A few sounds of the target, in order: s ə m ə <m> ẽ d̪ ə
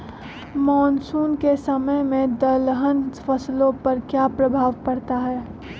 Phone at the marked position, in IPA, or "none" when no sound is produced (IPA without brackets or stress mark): m